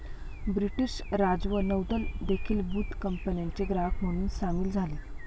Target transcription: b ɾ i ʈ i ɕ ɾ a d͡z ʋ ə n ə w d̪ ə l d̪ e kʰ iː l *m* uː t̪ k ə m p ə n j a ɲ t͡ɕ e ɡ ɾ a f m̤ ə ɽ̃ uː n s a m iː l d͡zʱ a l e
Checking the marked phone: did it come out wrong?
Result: yes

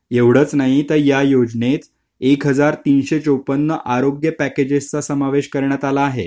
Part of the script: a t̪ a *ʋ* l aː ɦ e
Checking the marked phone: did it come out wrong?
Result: yes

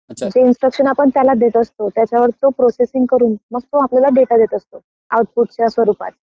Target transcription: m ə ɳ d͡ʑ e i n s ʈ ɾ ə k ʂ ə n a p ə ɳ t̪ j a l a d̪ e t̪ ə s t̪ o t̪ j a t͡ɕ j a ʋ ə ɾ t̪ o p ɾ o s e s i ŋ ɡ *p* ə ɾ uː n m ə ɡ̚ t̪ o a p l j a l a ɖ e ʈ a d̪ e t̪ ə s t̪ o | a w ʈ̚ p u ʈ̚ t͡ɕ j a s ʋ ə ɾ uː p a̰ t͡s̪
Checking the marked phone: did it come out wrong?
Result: yes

